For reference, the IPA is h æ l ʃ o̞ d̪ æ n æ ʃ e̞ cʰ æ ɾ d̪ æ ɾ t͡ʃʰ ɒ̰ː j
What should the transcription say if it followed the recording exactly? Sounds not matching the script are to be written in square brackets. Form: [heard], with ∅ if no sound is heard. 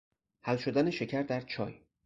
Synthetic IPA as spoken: h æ l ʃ o̞ d̪ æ n [e] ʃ e̞ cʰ æ ɾ d̪ æ ɾ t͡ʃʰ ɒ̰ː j